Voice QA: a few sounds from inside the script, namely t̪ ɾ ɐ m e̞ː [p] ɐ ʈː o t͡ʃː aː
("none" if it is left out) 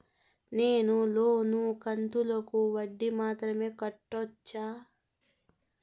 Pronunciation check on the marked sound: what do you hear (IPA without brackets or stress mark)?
k